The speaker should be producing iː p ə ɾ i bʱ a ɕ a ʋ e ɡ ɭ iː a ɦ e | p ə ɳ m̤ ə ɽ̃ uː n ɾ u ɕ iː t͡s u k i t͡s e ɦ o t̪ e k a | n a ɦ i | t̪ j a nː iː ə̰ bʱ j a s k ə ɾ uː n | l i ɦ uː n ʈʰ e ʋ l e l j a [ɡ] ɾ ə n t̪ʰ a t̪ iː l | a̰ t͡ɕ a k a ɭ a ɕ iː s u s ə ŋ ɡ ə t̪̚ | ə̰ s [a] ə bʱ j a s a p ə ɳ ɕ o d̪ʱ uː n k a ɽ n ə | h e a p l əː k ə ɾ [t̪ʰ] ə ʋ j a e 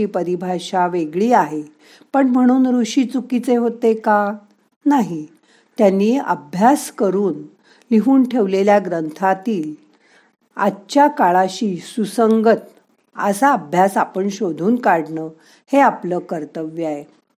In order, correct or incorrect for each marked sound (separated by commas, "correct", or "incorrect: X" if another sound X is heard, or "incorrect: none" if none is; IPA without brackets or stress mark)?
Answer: correct, correct, incorrect: t̪